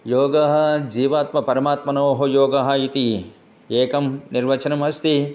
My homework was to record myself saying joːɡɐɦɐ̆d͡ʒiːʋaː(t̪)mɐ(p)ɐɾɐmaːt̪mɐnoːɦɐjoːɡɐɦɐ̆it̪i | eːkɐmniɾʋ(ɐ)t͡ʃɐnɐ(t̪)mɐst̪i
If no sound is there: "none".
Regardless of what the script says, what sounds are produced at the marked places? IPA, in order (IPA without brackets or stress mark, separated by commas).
t̪, p, ɐ, none